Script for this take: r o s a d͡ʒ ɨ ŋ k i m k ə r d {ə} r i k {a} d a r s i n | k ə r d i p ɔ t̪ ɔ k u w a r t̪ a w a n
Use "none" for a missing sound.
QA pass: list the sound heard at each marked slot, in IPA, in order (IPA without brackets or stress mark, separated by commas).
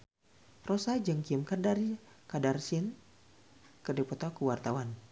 a, a